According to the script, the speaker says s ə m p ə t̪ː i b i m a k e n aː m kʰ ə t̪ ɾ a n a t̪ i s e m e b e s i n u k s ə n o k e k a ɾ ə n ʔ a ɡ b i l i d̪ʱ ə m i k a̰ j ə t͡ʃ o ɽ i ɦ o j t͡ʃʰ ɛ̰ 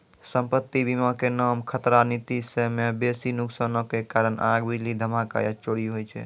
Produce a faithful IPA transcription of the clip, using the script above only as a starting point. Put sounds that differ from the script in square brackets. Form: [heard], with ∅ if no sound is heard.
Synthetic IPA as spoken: s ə m p ə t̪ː i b i m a k e n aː m kʰ ə t̪ ɾ a n [i] t̪ i s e m e b e s i n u k s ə n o k e k a ɾ ə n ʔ a ɡ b i l i d̪ʱ ə m [a] k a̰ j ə t͡ʃ o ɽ i ɦ o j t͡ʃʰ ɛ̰